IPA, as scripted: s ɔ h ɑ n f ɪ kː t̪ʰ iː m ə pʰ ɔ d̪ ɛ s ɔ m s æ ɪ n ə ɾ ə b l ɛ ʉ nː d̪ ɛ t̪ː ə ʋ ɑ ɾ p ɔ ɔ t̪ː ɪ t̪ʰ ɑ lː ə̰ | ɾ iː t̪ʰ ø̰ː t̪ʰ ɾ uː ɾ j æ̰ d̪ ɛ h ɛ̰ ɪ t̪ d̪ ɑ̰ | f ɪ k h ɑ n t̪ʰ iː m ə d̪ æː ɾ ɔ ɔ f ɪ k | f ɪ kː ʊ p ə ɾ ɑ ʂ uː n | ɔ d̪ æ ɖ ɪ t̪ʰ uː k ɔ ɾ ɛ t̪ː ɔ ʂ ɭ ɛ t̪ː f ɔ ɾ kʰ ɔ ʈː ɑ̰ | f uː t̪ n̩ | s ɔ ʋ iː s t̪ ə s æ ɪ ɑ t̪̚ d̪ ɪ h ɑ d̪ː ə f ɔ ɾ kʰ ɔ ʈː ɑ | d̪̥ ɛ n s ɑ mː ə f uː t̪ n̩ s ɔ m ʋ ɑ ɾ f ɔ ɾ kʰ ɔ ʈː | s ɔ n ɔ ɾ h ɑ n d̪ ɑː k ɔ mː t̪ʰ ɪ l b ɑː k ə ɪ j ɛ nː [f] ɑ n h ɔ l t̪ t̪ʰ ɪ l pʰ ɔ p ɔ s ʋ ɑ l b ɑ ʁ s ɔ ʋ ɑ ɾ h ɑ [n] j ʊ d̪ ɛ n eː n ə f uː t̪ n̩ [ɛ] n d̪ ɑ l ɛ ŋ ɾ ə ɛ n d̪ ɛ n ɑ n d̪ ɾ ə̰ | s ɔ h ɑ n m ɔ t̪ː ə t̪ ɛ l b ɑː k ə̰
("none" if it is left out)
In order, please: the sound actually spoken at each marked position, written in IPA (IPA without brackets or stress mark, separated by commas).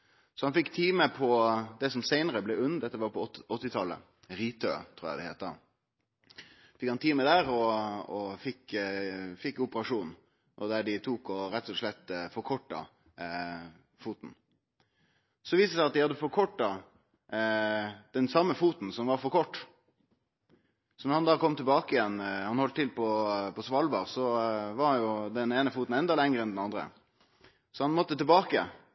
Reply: h, n, ɛ